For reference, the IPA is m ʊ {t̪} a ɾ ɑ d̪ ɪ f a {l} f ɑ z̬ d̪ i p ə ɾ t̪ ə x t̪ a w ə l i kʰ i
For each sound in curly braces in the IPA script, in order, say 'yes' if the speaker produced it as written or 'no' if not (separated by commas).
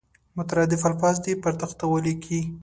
yes, yes